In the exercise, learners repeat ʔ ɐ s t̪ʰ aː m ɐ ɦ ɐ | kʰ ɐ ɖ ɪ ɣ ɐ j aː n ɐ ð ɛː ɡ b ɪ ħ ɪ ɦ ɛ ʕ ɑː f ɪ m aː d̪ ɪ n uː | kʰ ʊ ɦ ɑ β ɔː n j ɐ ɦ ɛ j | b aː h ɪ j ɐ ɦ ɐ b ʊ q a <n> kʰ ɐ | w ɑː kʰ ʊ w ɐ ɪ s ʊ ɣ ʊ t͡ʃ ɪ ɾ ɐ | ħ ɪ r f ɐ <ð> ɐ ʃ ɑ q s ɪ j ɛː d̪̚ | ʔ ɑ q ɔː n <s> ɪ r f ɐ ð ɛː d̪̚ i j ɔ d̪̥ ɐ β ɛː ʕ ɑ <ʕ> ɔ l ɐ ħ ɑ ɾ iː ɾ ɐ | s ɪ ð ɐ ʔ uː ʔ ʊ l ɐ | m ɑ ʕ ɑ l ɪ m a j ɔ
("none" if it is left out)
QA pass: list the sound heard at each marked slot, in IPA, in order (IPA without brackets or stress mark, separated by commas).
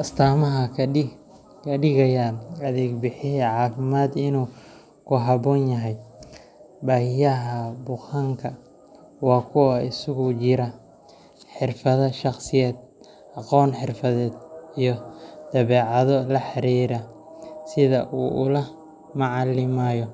ŋ, ð, ħ, ð